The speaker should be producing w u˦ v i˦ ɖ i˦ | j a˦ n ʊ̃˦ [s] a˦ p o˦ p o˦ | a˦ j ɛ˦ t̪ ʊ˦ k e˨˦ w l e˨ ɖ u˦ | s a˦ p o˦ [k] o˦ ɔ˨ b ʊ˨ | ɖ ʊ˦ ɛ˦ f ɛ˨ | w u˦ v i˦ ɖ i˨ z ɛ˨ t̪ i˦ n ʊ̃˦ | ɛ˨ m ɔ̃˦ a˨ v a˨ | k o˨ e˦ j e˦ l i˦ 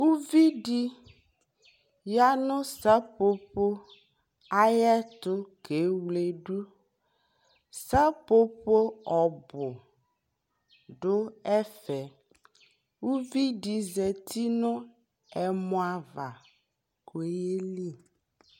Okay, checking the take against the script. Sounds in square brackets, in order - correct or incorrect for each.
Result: correct, incorrect: p

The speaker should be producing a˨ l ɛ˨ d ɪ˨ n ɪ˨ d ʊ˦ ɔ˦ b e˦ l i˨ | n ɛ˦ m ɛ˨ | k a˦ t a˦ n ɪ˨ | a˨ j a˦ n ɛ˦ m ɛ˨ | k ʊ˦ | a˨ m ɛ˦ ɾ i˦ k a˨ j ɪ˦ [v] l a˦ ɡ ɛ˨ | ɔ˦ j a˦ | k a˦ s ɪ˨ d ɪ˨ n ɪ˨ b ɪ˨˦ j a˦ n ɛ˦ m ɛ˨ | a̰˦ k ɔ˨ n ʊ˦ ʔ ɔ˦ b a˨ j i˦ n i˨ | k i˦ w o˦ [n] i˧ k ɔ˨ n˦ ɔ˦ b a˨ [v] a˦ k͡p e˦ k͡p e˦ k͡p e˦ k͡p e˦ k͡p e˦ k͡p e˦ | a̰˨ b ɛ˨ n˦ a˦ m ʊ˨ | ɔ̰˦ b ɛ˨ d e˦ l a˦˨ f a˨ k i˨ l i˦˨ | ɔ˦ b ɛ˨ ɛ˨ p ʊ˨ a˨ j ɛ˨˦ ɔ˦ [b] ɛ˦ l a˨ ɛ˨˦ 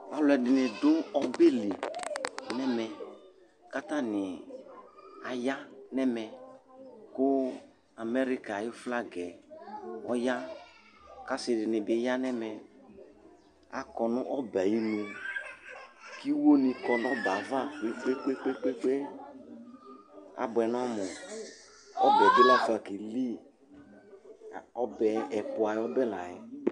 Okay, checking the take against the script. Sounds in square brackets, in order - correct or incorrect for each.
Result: incorrect: f, correct, correct, correct

